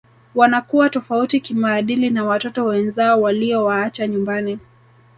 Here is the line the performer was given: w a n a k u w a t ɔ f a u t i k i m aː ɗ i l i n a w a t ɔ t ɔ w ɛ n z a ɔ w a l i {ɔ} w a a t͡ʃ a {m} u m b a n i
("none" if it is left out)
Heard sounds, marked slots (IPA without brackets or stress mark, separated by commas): ɔ, ɲ